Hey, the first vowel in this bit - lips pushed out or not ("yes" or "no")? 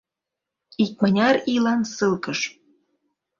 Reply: no